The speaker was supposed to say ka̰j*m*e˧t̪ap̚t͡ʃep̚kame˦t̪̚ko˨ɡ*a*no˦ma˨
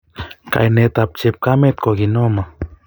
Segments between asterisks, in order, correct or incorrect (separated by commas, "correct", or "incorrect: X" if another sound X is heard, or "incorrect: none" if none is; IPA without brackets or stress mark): incorrect: n, incorrect: i